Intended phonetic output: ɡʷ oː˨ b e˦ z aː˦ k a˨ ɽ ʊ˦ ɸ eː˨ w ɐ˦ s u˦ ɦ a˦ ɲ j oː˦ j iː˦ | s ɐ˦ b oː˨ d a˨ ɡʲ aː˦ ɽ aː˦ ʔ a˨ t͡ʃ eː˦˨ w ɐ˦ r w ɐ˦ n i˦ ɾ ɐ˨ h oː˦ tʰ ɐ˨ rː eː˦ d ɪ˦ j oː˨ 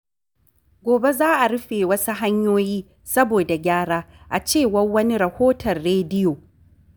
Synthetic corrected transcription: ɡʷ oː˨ b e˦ z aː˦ ʔ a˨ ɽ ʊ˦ ɸ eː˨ w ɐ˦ s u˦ ɦ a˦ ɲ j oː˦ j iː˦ | s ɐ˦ b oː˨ d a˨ ɡʲ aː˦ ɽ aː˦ ʔ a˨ t͡ʃ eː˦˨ w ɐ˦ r w ɐ˦ n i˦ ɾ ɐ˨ h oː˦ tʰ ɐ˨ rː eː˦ d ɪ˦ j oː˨